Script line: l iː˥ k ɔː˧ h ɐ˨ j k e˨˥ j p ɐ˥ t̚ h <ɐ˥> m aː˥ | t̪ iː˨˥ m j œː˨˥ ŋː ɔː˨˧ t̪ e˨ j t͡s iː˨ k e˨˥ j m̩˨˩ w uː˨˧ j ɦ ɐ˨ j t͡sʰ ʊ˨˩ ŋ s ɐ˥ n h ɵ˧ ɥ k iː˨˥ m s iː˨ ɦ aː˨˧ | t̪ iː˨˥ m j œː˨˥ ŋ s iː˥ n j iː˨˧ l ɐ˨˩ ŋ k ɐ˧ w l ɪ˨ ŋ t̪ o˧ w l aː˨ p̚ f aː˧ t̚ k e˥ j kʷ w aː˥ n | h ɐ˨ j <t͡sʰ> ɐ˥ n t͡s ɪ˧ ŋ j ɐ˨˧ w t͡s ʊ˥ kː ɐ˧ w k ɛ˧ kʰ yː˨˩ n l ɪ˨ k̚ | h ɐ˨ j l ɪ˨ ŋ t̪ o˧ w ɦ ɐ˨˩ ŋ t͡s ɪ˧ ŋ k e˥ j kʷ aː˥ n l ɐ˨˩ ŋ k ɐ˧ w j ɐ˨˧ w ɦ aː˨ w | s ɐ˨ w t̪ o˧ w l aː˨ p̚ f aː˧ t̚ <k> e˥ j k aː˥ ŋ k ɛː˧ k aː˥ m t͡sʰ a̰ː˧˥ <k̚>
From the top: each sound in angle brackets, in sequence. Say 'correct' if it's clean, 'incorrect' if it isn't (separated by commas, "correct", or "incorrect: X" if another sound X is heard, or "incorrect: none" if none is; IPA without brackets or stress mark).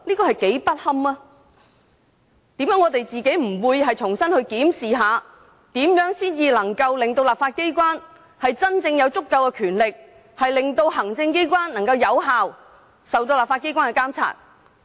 correct, incorrect: t͡s, correct, incorrect: t̚